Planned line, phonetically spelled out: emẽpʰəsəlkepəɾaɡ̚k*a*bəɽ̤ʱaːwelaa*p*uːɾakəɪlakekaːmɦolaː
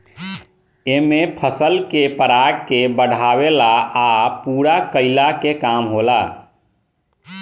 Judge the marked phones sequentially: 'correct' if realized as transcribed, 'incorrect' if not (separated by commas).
incorrect, correct